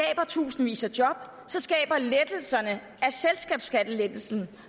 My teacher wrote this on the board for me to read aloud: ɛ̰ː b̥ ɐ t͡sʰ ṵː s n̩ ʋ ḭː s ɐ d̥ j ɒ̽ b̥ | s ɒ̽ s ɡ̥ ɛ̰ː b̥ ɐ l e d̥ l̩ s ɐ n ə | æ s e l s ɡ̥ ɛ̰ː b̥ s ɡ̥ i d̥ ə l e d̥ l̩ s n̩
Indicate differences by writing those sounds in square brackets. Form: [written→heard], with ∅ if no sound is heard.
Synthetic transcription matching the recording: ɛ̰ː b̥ ɐ t͡sʰ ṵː s n̩ ʋ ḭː s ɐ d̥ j ɒ̽ b̥ | s ɒ̽ s ɡ̥ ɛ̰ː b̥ ɐ l e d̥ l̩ s ɐ n ə | æ s e l s ɡ̥ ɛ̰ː b̥ s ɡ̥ [i→æ] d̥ ə l e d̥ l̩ s n̩